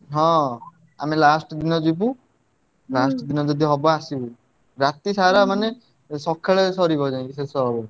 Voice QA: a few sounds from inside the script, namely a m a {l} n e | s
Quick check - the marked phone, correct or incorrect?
incorrect